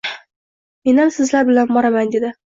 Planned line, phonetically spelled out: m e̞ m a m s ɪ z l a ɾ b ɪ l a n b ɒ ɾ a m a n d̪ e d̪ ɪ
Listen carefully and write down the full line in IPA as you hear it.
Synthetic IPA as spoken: m e̞ n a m s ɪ z l a ɾ b ɪ l a n b ɒ ɾ a m a n d̪ e d̪ ɪ